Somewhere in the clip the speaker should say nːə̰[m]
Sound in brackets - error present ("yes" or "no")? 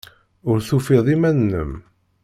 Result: no